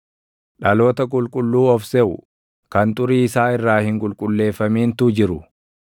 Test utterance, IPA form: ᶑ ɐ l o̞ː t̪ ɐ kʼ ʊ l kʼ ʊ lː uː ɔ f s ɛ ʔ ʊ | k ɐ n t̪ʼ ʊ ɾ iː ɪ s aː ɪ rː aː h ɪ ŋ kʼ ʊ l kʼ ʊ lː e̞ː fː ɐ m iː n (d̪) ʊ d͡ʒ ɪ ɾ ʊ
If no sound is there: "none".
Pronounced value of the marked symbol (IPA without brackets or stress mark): t̪